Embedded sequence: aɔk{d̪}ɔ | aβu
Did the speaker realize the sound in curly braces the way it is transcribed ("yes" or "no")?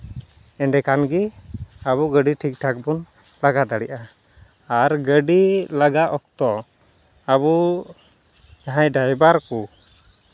no